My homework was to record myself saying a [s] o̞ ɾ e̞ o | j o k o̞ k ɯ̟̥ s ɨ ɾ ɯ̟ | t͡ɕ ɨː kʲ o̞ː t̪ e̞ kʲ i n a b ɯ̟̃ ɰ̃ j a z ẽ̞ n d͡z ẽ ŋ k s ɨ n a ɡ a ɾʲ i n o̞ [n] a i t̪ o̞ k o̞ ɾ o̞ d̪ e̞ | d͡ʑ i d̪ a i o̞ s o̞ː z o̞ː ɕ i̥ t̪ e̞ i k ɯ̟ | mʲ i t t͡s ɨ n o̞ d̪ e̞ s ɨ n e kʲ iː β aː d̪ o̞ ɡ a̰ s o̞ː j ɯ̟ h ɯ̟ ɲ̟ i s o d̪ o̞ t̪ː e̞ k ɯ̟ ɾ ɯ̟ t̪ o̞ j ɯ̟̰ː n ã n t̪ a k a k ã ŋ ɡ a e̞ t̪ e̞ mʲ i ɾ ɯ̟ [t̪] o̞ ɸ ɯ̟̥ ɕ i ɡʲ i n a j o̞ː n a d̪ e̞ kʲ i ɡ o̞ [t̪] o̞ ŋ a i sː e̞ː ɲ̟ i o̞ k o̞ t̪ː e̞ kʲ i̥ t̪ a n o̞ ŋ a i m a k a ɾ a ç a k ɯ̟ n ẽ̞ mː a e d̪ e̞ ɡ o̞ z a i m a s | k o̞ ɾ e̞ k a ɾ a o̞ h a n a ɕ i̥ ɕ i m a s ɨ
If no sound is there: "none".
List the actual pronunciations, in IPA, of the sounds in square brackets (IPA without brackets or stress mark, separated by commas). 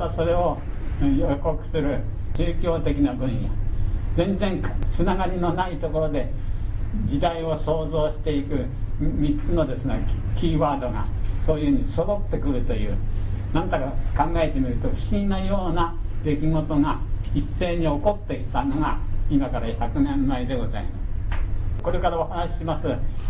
s, n, t̪, t̪